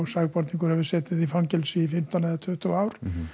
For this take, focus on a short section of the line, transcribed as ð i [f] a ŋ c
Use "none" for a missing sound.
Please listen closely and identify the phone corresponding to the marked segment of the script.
f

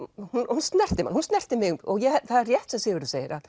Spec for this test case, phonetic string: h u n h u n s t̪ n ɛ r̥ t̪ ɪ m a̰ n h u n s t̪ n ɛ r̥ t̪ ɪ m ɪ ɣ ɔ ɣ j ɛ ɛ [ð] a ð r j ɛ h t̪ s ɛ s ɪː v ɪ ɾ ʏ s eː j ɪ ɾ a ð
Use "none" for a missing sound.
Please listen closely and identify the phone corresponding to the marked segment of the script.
θ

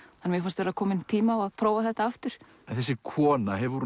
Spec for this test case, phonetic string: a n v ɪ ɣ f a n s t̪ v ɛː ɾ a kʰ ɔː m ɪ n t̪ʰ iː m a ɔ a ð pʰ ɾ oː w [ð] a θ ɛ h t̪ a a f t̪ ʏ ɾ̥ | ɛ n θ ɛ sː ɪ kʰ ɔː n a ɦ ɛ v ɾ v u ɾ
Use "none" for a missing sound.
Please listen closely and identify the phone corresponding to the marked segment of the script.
v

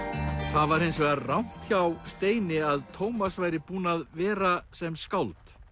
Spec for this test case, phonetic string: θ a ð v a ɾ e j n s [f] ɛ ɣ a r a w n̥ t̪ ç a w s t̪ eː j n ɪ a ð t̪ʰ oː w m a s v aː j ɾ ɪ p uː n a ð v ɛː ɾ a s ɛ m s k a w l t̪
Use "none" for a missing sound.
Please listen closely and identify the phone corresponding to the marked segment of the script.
v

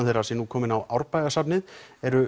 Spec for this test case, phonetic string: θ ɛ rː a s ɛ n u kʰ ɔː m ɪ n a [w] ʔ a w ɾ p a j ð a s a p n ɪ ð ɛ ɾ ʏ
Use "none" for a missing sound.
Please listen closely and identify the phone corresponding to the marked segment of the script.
w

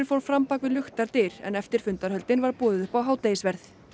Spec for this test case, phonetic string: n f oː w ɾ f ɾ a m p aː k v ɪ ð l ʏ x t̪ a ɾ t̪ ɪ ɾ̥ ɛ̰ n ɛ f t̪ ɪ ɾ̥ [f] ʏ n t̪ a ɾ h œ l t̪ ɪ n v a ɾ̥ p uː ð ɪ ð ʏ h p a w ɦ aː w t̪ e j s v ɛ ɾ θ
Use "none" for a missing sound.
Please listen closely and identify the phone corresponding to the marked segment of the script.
f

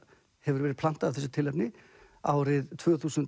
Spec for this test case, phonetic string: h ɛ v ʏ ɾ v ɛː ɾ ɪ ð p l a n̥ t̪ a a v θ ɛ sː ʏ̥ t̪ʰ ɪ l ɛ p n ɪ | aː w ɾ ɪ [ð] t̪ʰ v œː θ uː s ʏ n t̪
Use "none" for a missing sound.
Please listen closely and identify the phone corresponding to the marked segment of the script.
ð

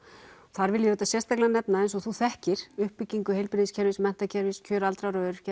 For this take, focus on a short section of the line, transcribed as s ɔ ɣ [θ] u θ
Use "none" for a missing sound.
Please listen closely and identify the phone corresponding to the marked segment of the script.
θ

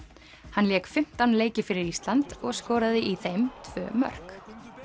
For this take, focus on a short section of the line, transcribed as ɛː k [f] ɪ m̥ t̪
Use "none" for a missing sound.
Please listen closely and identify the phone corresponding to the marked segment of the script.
f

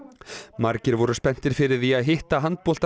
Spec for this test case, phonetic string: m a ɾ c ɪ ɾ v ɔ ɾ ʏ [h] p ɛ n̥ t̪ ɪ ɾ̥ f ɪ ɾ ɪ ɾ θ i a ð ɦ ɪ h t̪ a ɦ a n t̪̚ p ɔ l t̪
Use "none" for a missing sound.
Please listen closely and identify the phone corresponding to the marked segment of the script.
s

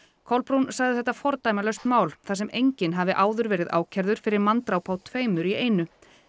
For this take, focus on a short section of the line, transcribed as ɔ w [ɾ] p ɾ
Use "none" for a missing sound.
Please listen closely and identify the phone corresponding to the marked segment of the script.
l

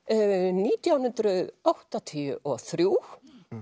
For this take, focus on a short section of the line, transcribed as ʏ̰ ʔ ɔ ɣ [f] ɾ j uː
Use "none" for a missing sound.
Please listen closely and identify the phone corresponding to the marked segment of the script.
θ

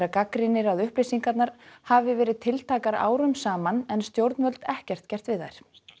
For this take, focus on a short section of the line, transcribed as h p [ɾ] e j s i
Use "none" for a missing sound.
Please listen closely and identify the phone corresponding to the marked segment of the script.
l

